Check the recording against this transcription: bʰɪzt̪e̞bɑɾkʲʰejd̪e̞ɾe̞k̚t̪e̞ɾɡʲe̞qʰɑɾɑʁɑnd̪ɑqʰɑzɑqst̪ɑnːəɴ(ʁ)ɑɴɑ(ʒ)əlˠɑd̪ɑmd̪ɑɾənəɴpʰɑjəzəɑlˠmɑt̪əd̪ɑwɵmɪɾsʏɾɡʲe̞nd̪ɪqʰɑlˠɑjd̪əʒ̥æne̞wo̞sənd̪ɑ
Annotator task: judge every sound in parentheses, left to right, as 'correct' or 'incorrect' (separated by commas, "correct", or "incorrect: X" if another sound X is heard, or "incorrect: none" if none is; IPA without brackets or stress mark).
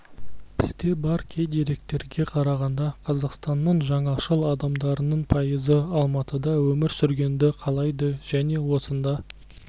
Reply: incorrect: ʒ, incorrect: ʃ